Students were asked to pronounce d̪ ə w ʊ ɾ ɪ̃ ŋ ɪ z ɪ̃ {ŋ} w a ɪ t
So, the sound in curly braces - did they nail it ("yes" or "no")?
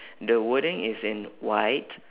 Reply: no